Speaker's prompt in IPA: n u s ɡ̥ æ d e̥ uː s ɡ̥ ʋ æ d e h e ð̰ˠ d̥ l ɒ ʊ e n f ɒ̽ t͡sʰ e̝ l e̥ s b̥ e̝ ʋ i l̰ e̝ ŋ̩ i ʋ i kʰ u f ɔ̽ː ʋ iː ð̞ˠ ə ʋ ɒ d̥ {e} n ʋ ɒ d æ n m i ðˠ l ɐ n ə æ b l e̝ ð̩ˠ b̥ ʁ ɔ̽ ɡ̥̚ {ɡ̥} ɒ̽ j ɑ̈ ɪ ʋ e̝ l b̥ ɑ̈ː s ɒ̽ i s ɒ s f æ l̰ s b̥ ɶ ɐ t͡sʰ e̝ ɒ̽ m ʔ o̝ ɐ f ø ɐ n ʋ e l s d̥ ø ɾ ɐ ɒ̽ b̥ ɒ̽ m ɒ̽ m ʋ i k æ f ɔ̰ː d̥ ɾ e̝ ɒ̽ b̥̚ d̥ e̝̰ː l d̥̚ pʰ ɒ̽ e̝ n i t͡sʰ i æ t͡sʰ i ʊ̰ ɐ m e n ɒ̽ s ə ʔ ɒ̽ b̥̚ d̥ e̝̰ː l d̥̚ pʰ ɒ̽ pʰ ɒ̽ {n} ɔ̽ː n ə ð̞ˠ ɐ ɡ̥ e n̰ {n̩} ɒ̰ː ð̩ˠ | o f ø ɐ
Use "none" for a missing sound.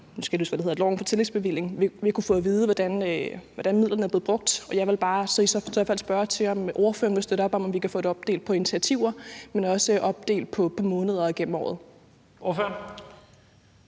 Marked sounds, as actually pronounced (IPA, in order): æ, d̥, m, m̩

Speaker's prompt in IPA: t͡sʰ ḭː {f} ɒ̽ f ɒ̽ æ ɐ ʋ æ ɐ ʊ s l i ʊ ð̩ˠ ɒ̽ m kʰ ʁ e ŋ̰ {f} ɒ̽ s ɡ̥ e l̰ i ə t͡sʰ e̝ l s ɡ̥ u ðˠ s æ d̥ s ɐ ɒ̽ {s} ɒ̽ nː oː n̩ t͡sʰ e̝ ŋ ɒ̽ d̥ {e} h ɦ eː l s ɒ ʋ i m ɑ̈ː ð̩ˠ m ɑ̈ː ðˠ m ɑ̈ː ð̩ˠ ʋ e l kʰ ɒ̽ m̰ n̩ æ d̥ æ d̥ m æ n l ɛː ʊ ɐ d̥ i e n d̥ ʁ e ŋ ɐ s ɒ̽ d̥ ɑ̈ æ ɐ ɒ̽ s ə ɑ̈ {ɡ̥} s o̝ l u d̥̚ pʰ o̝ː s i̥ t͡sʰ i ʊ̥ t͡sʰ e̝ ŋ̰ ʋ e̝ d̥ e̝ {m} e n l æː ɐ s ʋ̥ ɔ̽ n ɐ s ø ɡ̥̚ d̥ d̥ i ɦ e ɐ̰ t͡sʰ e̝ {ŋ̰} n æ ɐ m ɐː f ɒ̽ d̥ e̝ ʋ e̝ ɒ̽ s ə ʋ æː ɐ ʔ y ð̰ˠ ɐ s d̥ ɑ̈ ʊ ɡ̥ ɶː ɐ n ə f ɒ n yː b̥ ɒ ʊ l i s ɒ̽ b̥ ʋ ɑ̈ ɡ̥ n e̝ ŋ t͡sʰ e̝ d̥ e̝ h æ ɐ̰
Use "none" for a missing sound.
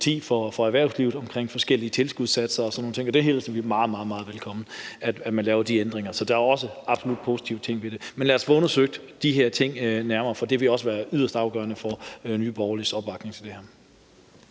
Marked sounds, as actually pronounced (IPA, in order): f, f, s, e, b̥, m, ŋ̰

